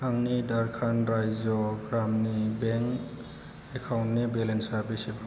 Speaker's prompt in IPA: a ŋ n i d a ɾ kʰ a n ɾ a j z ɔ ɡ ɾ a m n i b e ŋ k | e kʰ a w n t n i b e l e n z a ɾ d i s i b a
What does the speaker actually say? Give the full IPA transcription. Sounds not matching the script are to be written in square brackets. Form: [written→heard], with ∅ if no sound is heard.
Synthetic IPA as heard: a ŋ n i d a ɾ kʰ a n ɾ a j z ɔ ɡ ɾ a m n i b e ŋ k | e kʰ a w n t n i b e l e n [z→s] a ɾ [d→b] i s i b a